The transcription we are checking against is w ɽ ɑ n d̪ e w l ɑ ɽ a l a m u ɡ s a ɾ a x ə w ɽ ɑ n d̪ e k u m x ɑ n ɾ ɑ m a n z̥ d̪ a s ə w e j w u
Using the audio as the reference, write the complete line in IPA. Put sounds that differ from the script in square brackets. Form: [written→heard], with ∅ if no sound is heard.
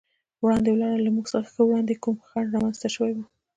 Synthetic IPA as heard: w ɽ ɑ n d̪ e w l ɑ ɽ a l a m u ɡ s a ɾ a x ə w ɽ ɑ n d̪ e k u m x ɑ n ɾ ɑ m a n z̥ [d̪→t̪] a [s→ʃ] ə w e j w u